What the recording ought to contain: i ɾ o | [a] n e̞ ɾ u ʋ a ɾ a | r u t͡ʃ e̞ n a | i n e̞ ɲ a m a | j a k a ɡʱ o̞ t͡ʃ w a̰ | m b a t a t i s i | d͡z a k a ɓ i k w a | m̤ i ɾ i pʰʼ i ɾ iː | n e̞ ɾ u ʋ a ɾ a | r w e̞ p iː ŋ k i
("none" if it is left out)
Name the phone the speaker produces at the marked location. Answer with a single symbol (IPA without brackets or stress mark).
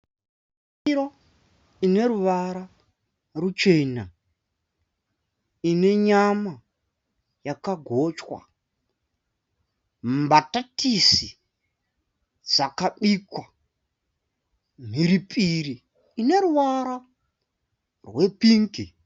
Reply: i